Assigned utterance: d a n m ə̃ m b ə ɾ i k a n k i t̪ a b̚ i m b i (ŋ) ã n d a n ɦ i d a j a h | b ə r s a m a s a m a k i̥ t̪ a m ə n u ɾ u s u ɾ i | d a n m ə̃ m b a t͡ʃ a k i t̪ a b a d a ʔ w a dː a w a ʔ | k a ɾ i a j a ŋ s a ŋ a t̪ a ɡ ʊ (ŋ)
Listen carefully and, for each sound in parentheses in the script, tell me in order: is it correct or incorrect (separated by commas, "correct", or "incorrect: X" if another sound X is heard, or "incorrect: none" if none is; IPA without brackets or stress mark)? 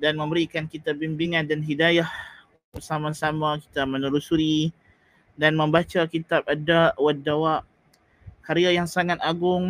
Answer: correct, correct